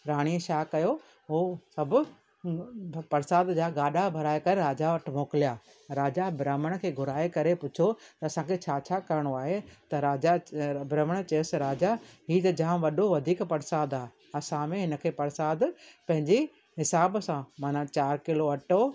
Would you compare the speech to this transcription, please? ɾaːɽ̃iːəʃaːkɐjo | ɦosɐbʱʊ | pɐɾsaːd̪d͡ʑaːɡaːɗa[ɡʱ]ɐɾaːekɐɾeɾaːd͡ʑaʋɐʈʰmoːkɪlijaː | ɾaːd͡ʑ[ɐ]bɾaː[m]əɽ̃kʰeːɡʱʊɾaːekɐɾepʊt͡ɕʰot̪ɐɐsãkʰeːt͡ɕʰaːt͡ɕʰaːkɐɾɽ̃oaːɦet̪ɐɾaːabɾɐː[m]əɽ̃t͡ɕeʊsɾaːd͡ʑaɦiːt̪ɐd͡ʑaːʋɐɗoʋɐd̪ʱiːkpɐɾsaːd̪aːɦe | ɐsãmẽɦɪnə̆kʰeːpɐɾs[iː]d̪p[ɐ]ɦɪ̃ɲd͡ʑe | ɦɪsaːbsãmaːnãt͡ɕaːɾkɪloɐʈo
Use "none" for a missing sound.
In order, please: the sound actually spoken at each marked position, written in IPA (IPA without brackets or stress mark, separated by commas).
bʱ, a, m, m, aː, ɐ̃